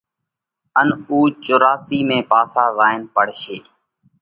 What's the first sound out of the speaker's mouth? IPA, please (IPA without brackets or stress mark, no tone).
ə